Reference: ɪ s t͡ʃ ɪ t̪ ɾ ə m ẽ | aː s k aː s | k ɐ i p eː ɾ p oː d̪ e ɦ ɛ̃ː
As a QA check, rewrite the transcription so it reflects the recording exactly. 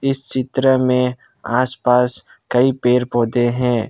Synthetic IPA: ɪ s t͡ʃ ɪ t̪ ɾ ə m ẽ | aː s p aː s | k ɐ i p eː ɾ p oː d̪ e ɦ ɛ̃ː